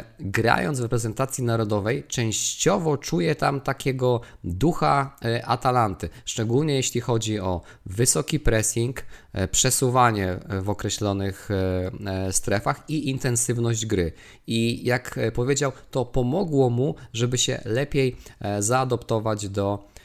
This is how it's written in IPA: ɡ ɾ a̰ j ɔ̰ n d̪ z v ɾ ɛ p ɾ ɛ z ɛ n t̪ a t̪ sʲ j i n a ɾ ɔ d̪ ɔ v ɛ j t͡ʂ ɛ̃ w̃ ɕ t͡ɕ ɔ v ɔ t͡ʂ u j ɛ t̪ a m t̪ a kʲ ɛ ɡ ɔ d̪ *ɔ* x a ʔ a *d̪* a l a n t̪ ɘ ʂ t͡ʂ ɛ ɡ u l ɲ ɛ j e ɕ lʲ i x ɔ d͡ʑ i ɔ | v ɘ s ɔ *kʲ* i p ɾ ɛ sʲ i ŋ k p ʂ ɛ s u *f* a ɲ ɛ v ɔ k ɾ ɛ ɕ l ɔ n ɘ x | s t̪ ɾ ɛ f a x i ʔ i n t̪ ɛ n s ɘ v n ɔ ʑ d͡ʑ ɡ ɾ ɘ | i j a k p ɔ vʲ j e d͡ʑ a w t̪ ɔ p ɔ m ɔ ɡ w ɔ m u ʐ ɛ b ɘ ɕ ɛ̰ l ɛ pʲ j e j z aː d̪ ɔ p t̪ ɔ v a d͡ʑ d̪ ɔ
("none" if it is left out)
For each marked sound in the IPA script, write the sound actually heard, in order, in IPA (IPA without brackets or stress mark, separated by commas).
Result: u, t̪, kʲ, v